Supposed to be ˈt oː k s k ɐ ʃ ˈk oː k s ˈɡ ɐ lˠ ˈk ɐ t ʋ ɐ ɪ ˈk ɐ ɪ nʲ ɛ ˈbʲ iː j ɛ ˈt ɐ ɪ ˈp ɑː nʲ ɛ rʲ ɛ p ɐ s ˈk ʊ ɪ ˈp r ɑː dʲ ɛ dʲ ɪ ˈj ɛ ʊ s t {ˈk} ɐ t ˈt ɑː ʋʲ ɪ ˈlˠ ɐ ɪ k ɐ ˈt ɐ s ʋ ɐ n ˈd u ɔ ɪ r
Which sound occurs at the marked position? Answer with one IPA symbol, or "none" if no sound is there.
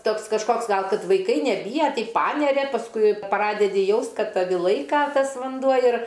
k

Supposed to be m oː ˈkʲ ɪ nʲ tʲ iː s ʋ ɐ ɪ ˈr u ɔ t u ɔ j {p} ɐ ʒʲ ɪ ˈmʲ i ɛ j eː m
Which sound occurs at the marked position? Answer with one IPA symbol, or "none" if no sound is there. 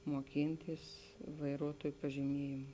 p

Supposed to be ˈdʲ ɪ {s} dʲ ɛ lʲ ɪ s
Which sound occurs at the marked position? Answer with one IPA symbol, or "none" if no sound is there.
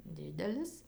none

